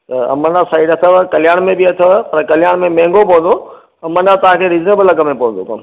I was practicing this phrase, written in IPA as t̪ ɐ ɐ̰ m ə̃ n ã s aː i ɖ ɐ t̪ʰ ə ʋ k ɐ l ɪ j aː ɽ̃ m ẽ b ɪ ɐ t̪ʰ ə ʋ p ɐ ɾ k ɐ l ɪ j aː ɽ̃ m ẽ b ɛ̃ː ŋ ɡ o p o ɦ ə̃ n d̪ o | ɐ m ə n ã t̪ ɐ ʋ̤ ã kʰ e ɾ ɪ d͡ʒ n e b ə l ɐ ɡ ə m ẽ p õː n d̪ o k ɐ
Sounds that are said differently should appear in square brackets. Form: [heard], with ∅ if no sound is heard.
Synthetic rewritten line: t̪ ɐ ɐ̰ m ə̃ n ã s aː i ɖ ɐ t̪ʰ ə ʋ k ɐ l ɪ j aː ɽ̃ m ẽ b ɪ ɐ t̪ʰ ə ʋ p ɐ ɾ k ɐ l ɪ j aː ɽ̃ m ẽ [m] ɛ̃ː ŋ ɡ o p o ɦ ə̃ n d̪ o | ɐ m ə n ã t̪ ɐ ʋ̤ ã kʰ e ɾ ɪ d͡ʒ n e b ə l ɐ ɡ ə m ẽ p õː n d̪ o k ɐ